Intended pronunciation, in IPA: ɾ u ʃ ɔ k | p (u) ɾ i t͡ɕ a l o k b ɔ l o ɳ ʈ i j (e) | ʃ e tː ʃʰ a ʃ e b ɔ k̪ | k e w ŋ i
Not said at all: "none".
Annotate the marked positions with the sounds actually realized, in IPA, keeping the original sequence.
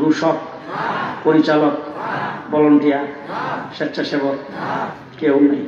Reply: o, a

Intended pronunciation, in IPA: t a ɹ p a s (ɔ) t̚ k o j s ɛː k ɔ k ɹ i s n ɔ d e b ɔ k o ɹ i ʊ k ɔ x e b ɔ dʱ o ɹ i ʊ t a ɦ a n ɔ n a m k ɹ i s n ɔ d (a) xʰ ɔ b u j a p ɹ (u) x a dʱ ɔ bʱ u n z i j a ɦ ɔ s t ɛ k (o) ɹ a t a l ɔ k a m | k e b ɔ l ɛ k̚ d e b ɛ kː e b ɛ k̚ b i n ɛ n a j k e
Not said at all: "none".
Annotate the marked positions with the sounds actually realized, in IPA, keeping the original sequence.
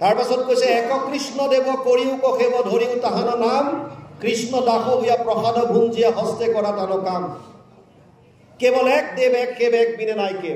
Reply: ɔ, a, ɔ, ɔ

